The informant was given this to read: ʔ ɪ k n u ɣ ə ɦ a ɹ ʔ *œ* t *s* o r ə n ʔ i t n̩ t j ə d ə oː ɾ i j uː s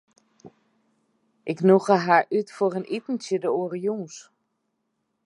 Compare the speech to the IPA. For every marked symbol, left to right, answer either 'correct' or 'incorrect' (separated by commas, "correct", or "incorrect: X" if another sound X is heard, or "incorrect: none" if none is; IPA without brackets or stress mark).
incorrect: y, incorrect: f